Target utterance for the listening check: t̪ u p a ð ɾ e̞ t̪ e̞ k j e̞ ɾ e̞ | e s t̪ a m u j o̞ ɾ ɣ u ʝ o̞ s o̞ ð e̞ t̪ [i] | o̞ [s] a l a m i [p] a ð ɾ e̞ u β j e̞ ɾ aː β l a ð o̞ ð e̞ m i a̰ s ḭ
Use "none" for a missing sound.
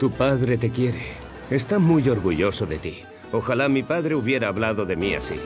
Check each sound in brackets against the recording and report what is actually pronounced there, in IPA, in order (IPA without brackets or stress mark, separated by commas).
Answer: i, x, p